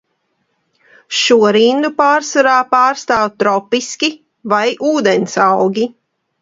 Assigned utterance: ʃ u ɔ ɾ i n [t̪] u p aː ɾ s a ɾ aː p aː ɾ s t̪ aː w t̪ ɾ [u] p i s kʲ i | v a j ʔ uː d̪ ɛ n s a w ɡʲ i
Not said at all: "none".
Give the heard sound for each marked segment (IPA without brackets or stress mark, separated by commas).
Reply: d̪, ɔ